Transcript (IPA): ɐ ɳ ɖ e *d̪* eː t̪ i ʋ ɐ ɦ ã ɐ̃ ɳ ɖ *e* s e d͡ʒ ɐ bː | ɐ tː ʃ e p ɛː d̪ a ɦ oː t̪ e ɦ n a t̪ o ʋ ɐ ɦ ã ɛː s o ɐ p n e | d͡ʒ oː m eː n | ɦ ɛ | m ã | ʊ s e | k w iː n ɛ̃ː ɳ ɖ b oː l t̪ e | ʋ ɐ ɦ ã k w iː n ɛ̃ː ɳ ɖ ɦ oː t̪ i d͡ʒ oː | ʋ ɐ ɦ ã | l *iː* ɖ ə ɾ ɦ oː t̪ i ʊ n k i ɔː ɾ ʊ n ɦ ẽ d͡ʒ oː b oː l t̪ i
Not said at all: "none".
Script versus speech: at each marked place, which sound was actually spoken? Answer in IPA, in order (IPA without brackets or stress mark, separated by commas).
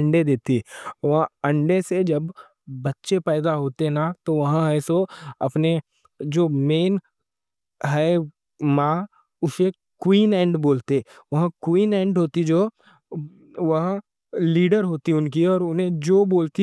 d̪, e, iː